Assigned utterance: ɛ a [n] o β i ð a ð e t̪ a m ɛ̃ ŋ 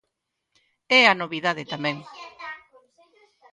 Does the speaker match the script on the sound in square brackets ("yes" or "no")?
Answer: yes